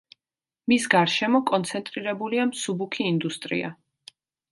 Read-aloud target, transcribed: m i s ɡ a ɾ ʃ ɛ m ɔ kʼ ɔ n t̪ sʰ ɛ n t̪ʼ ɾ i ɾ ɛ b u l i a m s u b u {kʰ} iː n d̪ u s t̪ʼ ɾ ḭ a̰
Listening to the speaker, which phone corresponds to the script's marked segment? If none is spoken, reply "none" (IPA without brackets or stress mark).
kʰ